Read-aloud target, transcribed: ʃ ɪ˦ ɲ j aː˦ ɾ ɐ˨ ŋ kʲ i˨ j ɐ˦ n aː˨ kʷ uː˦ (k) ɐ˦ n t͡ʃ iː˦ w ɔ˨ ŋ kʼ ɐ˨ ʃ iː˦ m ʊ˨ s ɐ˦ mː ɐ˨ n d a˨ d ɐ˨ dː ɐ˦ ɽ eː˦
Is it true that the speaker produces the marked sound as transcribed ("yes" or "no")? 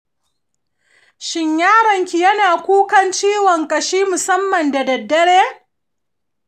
yes